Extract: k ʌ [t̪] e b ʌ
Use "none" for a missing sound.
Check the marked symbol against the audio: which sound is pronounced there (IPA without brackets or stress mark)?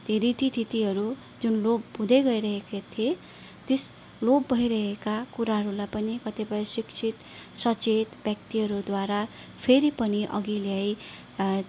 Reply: t̪